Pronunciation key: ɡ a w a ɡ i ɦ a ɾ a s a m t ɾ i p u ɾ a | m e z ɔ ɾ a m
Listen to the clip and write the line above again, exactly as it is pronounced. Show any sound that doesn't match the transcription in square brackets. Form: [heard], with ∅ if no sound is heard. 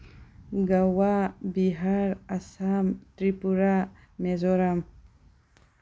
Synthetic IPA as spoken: ɡ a w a [b] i ɦ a ɾ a s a m t ɾ i p u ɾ a | m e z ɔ ɾ a m